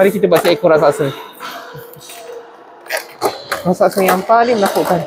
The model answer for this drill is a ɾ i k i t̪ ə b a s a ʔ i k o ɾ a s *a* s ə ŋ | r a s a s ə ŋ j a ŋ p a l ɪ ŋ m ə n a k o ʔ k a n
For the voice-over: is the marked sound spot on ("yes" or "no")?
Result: yes